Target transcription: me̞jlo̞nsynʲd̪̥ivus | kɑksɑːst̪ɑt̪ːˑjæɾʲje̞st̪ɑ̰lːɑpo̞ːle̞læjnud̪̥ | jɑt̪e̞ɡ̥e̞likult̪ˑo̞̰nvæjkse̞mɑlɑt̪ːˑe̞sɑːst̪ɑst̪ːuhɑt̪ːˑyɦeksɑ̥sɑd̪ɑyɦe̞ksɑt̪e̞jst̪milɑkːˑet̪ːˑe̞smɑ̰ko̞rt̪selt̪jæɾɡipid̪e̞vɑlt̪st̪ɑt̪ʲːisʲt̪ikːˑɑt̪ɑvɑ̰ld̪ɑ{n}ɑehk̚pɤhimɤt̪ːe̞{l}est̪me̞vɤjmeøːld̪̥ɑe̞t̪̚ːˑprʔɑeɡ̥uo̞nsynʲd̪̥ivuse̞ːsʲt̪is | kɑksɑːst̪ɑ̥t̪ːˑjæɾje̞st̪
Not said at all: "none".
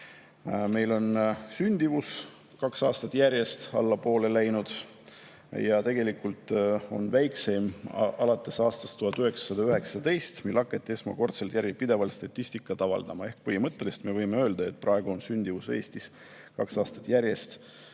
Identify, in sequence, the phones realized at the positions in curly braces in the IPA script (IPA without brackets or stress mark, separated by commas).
m, l